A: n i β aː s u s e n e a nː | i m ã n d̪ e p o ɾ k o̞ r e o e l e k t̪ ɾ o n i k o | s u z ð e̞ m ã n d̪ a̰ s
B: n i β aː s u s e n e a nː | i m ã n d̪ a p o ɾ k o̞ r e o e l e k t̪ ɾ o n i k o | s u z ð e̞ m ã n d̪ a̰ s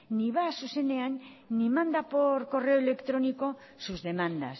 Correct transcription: B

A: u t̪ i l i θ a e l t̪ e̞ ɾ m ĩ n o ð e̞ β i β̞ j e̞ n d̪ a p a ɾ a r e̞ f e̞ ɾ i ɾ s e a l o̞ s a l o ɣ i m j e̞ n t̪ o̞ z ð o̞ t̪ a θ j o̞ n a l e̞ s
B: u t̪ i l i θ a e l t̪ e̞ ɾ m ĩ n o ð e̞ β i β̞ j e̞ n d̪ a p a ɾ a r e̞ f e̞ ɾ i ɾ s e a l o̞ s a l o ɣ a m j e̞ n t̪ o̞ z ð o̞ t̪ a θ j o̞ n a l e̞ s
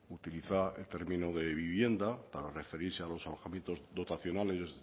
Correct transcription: B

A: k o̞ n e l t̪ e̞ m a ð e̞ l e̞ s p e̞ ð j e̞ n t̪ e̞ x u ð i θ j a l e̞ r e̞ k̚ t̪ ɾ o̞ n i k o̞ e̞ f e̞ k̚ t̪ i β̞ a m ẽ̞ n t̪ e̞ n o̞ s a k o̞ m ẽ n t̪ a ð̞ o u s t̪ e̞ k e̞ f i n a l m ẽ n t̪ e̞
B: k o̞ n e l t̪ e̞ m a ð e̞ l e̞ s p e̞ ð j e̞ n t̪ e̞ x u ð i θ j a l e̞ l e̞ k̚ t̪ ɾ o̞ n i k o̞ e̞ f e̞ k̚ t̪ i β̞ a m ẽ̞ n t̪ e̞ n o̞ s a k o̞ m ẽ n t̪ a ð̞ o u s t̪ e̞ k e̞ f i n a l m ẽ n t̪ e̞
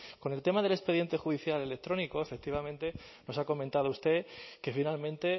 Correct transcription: B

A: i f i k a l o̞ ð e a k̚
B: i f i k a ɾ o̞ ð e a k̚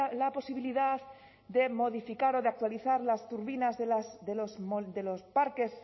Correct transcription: B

